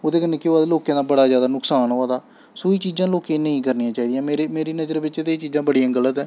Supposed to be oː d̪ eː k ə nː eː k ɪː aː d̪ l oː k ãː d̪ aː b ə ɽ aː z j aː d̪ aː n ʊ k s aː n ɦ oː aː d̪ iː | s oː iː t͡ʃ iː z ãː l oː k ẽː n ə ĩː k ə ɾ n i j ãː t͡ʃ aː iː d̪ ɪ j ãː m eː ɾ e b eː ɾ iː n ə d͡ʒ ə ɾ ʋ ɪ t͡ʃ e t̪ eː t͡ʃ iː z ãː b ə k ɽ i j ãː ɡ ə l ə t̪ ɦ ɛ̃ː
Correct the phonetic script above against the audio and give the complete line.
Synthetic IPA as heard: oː d̪ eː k ə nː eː k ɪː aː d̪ l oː k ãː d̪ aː b ə ɽ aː z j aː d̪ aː n ʊ k s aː n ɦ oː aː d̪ aː | s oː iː t͡ʃ iː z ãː l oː k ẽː n ə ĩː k ə ɾ n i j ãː t͡ʃ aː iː d̪ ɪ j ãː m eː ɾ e m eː ɾ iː n ə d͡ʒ ə ɾ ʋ ɪ t͡ʃ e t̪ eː t͡ʃ iː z ãː b ə ɽ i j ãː ɡ ə l ə t̪ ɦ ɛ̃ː